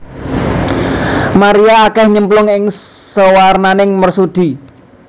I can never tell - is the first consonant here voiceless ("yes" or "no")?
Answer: no